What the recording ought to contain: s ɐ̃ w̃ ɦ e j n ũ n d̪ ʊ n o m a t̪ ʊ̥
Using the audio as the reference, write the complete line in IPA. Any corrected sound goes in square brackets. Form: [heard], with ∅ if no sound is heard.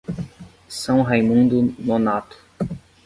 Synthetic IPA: s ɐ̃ w̃ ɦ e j [m] ũ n d̪ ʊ n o [n] a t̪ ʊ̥